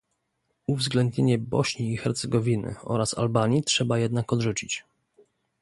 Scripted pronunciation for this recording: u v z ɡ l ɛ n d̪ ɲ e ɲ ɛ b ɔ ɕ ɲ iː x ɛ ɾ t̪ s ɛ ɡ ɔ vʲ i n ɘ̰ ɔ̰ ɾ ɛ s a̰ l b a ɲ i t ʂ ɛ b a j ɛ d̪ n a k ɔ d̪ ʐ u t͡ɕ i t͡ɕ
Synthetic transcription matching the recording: u v z ɡ l ɛ n d̪ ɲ e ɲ ɛ b ɔ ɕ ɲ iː x ɛ ɾ t̪ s ɛ ɡ ɔ vʲ i n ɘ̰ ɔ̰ ɾ a s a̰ l b a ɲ i t ʂ ɛ b a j ɛ d̪ n a k ɔ d̪ ʐ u t͡ɕ i t͡ɕ

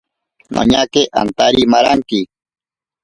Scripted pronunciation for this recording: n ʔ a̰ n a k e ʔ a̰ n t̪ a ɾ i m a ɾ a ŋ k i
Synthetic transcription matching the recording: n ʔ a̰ ɲ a k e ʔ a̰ n t̪ a ɾ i m a ɾ a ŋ k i

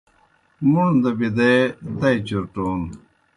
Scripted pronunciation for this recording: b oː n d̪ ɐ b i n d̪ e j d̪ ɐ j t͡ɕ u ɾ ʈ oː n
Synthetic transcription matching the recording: m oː n d̪ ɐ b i d̪ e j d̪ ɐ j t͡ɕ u ɾ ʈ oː n

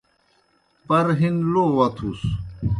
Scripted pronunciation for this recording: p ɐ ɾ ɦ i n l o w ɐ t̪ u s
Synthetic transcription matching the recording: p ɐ ɾ ɦ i n l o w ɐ t̪ʰ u s

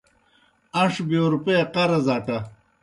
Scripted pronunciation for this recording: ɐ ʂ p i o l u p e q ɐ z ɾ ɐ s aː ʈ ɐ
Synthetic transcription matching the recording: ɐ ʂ b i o ɾ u p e q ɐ ɾ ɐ z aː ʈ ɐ

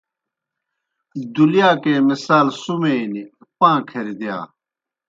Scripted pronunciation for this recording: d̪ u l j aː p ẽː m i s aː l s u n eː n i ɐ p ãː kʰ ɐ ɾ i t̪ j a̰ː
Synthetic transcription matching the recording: d̪ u l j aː k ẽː m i s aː l s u m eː n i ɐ p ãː kʰ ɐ ɾ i d̪ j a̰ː

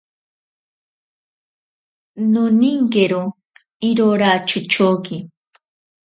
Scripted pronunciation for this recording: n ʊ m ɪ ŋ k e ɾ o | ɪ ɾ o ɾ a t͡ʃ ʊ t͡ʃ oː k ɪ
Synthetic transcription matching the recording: n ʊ n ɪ ŋ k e ɾ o | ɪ ɾ o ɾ a t͡ʃ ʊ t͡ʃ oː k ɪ

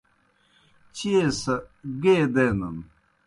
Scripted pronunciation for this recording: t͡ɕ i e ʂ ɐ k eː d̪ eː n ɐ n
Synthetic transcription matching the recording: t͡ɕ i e s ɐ ɡ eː d̪ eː n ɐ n

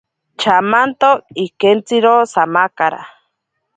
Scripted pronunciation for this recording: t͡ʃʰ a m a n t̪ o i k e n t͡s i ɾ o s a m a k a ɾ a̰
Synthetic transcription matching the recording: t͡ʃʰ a m a n t̪ o i k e n t͡s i ɾ o s a m a k a ɾ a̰

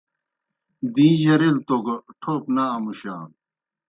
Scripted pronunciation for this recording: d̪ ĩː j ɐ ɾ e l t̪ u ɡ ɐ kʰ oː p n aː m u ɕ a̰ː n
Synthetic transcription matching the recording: d̪ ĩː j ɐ ɾ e l t̪ o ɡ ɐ ʈʰ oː p n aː m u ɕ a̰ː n

